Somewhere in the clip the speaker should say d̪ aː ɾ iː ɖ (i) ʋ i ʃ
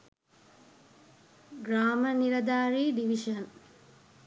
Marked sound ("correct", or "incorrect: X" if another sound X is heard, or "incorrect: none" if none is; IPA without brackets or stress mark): correct